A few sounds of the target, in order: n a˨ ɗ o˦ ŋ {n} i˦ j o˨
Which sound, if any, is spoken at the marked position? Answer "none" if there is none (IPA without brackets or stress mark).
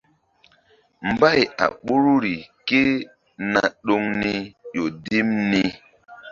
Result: n